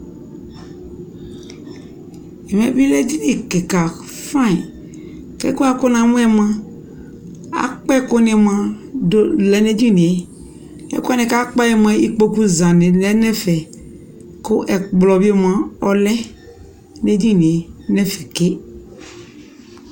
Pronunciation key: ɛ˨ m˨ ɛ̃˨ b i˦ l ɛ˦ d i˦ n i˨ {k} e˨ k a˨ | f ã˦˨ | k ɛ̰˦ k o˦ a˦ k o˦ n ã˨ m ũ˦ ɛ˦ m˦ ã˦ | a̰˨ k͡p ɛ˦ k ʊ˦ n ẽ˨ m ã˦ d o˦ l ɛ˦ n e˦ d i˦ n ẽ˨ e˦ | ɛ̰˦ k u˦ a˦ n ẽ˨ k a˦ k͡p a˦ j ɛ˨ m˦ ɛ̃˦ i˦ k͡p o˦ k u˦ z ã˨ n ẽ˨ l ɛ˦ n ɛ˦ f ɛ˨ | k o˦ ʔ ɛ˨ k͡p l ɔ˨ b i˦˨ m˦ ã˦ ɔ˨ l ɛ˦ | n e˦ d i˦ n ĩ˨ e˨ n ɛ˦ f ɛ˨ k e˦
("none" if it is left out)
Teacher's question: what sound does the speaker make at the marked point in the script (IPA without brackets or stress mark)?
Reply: k